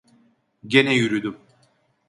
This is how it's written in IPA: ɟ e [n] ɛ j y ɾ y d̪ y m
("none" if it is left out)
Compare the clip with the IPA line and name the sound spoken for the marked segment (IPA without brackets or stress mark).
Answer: n